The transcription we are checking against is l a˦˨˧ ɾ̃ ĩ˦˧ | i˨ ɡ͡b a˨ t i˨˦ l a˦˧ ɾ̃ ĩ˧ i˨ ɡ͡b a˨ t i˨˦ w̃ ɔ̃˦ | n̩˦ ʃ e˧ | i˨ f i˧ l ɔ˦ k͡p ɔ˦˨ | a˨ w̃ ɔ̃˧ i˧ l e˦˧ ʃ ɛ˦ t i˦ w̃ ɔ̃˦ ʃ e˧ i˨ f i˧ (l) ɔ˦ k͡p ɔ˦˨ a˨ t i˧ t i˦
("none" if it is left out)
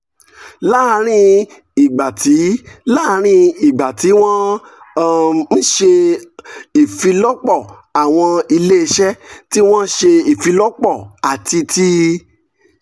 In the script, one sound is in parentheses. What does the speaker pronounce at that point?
l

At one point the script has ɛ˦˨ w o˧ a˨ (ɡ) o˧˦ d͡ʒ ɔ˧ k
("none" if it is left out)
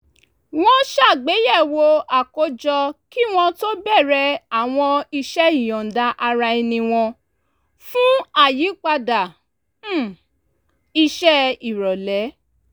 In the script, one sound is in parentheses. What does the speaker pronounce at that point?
k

